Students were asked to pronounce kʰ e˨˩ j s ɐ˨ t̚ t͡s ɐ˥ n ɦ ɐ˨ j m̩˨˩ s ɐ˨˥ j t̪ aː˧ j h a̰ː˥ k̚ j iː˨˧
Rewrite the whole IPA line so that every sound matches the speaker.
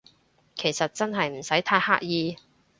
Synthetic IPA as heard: kʰ e˨˩ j s ɐ˨ t̚ t͡s ɐ˥ n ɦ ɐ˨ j m̩˨˩ s ɐ˨˥ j t̪ʰ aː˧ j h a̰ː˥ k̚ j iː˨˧